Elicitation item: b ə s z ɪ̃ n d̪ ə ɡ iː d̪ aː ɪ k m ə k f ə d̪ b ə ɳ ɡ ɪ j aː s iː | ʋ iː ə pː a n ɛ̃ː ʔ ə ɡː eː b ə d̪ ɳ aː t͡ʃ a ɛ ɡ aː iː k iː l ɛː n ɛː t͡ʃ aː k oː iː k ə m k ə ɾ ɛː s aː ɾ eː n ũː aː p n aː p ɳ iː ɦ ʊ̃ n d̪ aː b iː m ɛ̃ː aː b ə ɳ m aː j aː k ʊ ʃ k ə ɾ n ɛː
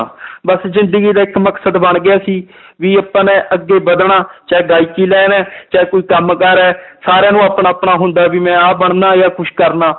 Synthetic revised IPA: b ə s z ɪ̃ n d̪ ə ɡ iː d̪ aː ɪ k m ə k s ə d̪ b ə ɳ ɡ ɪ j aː s iː | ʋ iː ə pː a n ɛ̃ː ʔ ə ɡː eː b ə d̪ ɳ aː t͡ʃ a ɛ ɡ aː iː k iː l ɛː n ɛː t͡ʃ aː k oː iː k ə m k ə ɾ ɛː s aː ɾ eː n ũː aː p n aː p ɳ aː ɦ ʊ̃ n d̪ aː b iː m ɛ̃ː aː b ə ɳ n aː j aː k ʊ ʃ k ə ɾ n aː